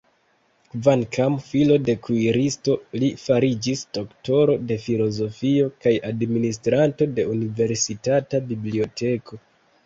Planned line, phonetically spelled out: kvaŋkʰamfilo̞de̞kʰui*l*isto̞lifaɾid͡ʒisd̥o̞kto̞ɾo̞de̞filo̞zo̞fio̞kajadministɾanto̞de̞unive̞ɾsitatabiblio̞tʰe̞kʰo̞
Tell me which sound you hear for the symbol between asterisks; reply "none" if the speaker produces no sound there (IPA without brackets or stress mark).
ɾ